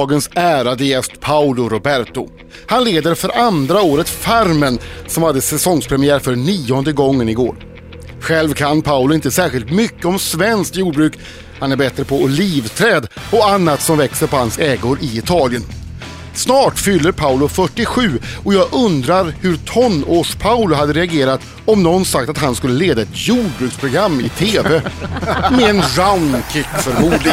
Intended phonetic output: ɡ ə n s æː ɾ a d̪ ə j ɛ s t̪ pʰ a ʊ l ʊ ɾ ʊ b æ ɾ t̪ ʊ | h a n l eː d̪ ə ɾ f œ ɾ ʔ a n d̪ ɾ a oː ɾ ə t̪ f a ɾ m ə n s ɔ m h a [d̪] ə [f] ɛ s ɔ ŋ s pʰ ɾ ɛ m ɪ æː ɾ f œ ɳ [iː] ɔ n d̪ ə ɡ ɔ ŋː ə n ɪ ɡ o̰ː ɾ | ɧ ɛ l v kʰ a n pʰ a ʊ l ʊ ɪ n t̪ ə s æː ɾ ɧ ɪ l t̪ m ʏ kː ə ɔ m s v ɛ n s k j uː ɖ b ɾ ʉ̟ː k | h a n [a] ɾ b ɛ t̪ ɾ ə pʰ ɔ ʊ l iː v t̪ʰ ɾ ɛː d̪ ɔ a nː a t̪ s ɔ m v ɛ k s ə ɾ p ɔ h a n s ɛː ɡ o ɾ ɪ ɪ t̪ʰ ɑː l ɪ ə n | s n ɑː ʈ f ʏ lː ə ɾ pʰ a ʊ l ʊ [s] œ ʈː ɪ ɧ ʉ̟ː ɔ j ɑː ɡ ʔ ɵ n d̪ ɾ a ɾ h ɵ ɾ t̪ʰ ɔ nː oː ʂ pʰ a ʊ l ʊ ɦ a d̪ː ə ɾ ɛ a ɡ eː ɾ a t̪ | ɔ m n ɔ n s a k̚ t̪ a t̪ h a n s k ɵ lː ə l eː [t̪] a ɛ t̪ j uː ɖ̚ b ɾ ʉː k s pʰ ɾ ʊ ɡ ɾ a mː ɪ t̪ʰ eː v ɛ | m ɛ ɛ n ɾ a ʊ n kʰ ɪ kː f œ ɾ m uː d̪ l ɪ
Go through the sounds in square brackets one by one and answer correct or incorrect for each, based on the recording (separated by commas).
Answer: incorrect, incorrect, correct, incorrect, incorrect, incorrect